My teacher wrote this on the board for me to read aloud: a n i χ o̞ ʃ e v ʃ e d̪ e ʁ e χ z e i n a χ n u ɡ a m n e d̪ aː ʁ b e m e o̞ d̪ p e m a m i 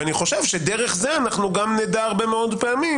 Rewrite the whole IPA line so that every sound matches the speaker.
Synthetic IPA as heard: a n i χ o̞ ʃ e v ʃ e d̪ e ʁ e χ z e a n a χ n u ɡ a m n e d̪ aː ʁ b e m e o̞ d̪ p e a m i